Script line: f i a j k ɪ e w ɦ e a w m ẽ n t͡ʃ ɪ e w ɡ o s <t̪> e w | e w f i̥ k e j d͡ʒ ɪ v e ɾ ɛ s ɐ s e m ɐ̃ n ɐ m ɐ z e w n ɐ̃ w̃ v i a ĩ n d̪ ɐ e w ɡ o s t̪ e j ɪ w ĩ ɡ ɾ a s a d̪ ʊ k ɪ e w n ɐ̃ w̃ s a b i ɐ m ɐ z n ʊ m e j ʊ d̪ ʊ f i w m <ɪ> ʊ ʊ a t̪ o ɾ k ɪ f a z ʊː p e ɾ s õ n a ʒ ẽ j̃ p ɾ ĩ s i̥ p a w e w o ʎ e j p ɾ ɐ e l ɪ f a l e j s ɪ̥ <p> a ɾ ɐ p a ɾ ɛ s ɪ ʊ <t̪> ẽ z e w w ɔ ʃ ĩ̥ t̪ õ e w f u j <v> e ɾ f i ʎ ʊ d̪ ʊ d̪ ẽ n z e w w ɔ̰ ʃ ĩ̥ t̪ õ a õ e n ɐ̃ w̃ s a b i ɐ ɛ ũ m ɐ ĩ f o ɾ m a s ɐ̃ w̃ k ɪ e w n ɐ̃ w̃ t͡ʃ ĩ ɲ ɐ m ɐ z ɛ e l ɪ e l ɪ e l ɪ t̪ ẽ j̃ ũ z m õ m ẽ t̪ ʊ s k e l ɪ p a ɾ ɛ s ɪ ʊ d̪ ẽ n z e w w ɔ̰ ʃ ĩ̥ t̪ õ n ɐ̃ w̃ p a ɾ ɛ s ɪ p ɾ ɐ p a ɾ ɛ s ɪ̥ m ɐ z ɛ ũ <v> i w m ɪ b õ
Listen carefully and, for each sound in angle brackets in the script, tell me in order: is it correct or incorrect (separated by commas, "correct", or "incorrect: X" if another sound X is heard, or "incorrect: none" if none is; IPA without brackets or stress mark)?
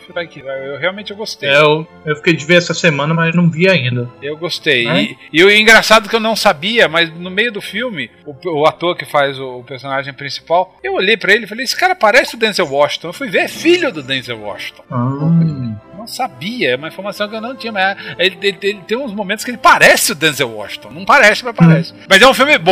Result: correct, correct, incorrect: k, incorrect: d̪, correct, incorrect: f